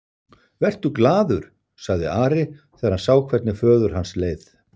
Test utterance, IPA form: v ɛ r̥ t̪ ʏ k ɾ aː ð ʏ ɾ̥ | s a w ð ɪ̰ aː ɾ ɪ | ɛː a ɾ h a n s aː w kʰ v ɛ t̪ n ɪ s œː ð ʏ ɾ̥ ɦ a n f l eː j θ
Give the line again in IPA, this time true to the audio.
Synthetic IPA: v ɛ r̥ t̪ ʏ k l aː ð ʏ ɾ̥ | s a ɣ ð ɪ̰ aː ɾ ɪ | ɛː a ɾ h a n s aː w kʰ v ɛ t̪ n ɪ f œː ð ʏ ɾ̥ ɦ a n s l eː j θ